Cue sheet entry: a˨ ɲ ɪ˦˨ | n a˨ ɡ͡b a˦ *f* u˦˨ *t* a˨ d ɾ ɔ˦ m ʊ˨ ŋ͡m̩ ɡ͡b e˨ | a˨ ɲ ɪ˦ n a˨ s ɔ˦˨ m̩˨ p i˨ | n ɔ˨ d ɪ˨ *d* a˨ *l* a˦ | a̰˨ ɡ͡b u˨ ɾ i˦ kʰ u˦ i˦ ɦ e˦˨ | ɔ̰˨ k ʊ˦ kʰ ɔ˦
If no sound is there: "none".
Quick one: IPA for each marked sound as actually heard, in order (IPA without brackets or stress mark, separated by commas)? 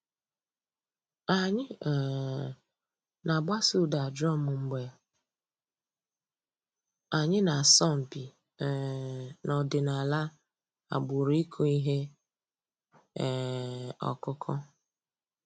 s, d, n, l